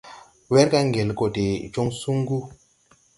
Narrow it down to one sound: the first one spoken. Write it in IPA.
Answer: w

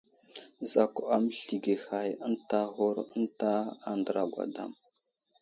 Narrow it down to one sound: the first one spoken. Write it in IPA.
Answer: z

